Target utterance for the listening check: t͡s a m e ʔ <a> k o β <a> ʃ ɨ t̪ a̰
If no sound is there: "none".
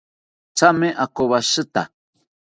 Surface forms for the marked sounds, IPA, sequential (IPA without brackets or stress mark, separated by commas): a, a